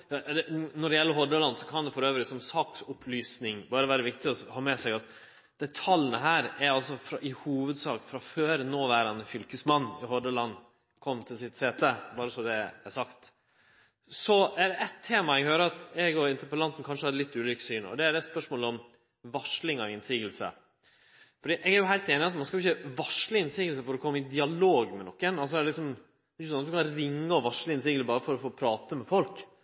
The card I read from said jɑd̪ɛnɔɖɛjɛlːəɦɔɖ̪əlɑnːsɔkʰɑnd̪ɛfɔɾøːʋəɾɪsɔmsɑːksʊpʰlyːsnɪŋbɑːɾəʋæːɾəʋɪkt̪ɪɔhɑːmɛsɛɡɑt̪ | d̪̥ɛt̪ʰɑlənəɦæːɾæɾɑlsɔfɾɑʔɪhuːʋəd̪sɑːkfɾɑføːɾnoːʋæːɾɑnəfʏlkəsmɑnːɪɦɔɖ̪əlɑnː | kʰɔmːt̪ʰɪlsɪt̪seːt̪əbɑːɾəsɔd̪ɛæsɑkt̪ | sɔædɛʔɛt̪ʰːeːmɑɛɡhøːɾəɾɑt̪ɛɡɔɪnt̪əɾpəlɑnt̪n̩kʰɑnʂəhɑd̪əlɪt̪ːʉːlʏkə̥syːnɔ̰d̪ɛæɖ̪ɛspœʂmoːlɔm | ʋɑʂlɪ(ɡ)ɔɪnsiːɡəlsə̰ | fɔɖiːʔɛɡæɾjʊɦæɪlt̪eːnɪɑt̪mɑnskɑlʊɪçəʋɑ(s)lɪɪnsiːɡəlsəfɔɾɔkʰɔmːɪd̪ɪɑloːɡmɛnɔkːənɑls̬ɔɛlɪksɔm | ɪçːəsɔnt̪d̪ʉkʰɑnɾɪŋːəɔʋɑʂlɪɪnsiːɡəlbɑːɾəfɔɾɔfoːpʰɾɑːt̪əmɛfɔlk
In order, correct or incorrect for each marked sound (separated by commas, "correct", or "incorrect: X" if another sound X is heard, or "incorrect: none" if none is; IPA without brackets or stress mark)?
incorrect: ŋ, incorrect: ʂ